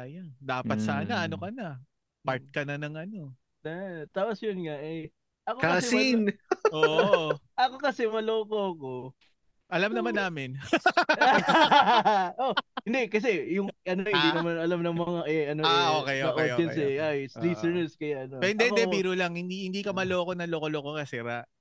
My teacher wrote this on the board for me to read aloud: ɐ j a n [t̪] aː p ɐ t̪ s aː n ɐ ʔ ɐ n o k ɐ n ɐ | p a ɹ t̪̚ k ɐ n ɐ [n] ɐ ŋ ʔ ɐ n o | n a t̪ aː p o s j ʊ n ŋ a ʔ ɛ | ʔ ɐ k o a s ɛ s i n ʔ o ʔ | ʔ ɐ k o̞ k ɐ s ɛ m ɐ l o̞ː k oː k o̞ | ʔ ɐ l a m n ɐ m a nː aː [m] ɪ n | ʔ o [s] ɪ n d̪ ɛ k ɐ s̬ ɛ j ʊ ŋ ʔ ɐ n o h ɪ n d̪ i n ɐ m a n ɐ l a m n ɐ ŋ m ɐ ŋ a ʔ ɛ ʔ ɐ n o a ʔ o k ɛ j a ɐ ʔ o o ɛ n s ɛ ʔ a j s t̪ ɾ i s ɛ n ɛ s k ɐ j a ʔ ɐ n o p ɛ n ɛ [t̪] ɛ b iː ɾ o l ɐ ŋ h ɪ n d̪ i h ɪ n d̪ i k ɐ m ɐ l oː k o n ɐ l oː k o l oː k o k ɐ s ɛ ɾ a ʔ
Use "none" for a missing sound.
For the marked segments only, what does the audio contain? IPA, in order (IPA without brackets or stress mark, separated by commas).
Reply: d̪, n, m, h, d̪